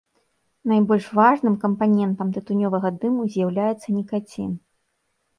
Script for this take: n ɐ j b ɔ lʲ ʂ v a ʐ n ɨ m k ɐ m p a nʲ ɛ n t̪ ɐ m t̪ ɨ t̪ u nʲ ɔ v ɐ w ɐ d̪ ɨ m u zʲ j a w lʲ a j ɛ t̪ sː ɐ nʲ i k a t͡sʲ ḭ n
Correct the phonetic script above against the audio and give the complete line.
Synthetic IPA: n a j b ɔ lʲ ʂ v a ʐ n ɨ m k ɐ m p a nʲ ɛ n t̪ ɐ m t̪ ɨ t̪ u nʲ ɔ v ɐ ɣ ɐ d̪ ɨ m u zʲ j a w lʲ a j ɛ t̪ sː ɐ nʲ i k a t͡sʲ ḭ n